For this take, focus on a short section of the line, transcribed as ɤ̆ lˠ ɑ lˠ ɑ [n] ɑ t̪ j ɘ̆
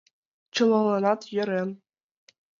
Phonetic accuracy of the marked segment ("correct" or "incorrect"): correct